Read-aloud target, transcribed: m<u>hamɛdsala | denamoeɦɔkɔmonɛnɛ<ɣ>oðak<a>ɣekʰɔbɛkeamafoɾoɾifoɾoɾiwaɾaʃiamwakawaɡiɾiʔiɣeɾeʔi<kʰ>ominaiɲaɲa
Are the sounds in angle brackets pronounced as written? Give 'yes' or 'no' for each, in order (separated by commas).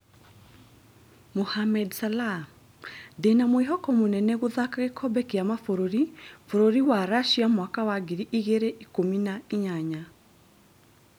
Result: no, yes, yes, no